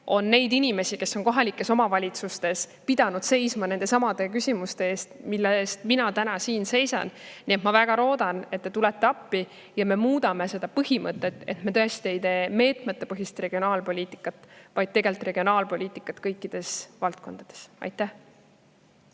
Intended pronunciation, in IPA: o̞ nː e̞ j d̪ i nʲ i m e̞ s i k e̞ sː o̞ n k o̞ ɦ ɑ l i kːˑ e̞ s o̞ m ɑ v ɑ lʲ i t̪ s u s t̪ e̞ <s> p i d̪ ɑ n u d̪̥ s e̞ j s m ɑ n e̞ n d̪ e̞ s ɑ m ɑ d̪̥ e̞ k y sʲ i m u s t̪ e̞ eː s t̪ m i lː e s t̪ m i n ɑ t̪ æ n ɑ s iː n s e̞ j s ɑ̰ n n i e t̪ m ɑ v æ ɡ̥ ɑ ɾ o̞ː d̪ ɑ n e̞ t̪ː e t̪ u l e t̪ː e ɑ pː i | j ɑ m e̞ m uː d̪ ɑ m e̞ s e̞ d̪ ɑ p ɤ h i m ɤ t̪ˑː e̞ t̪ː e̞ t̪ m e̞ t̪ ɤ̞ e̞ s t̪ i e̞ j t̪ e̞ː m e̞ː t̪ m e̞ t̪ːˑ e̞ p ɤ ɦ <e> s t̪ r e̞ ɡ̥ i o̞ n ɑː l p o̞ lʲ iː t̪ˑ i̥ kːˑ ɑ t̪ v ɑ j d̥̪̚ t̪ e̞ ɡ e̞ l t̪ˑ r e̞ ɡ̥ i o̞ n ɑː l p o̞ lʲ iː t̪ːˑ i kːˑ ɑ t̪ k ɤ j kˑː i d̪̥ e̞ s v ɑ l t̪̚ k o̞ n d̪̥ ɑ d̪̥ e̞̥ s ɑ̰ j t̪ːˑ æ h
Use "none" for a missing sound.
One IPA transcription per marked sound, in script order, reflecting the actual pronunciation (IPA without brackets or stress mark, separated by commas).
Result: s, i